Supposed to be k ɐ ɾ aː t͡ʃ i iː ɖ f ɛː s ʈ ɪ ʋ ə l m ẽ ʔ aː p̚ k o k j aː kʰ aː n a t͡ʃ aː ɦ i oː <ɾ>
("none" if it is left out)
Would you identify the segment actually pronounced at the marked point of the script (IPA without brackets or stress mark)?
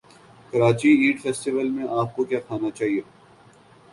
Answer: none